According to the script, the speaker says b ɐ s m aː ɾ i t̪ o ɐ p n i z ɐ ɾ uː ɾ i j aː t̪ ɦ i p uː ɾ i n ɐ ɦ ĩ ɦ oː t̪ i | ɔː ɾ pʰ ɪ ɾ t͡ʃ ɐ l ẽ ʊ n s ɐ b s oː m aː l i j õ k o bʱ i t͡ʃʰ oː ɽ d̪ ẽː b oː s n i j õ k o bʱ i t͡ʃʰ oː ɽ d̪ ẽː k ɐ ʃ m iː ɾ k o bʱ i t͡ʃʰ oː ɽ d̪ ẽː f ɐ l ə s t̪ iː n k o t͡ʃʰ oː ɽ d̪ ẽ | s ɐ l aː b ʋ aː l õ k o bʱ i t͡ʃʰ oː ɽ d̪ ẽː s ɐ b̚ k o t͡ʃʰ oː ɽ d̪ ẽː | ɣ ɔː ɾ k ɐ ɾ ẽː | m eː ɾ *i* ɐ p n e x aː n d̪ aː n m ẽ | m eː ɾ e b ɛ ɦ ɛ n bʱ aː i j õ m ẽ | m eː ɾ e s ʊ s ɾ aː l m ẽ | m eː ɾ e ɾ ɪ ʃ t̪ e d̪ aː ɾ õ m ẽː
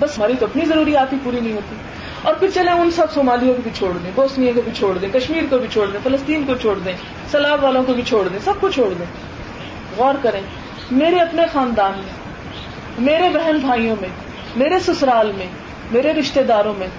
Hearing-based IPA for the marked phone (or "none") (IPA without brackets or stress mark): e